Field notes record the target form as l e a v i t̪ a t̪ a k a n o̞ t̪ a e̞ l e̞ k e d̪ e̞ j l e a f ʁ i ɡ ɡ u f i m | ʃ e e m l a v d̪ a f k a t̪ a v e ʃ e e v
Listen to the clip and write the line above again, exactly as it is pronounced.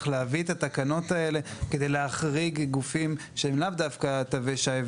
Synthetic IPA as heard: l e a v i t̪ a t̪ a k a n o̞ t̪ a e̞ l e̞ k e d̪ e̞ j l e a χ ʁ i ɡ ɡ u f i m | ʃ e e m l a v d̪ a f k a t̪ a v e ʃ a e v